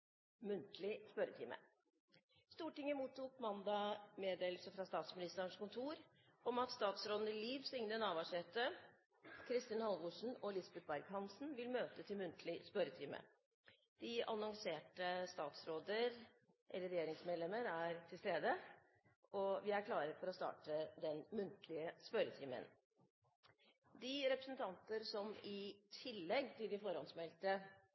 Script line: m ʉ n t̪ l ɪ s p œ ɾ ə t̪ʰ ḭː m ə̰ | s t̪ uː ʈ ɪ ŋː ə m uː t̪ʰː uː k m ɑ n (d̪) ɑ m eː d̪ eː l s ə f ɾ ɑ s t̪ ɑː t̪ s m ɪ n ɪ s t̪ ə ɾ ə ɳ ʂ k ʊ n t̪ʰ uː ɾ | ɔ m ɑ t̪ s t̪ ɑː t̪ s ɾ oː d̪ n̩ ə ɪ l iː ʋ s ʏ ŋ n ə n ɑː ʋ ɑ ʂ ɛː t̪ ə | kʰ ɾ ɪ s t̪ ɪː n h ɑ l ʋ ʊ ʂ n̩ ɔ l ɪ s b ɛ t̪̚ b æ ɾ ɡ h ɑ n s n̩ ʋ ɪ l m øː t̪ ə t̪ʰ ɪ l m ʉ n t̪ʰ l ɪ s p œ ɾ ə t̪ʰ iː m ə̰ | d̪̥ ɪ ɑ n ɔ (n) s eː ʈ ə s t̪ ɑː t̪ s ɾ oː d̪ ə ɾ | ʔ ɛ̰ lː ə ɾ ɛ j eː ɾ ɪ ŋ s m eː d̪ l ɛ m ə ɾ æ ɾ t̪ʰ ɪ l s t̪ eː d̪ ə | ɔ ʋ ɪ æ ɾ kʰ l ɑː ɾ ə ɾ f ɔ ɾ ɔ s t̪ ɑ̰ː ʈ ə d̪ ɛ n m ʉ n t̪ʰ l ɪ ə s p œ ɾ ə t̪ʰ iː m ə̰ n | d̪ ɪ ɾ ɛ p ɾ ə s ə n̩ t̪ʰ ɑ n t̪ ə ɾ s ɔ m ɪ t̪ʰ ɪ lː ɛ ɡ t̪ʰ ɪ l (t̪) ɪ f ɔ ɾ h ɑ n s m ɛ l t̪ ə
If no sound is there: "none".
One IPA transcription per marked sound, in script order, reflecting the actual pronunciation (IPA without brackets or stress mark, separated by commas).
d̪, ŋ, d̪